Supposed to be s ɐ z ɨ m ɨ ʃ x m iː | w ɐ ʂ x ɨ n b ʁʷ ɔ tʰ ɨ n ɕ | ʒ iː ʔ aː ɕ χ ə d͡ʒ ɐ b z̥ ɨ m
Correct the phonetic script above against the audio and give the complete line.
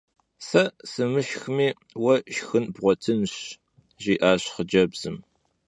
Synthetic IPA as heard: s ɐ s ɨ m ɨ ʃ x m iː | w ɐ ʃ x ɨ n b ʁʷ ɔ tʰ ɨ n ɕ | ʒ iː ʔ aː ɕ χ ə d͡ʒ ɐ b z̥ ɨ m